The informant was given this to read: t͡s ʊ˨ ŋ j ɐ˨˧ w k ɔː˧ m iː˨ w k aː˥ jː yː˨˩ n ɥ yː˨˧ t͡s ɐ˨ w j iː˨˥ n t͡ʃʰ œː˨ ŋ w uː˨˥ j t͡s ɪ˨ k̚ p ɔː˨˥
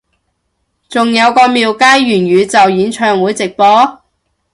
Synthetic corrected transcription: t͡s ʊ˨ ŋ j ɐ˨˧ w k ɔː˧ m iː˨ w k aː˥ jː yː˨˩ n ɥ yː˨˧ t͡s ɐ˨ w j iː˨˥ n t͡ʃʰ œː˨ ŋ w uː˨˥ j t͡s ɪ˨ k̚ p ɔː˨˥